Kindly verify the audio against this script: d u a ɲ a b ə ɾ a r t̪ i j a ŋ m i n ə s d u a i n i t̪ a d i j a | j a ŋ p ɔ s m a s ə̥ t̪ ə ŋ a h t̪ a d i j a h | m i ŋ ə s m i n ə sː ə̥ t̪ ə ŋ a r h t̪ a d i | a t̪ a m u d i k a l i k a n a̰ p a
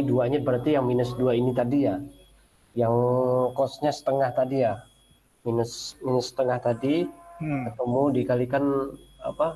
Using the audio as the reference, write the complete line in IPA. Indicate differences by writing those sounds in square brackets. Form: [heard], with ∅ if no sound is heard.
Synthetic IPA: d u a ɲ a b ə ɾ a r t̪ i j a ŋ m i n ə s d u a i n i t̪ a d i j a | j a ŋ [k] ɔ s [ɲ] a s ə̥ t̪ ə ŋ a h t̪ a d i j a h | m i [n] ə s m i n ə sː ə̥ t̪ ə ŋ a [∅] h t̪ a d i | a t̪ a m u d i k a l i k a n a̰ p a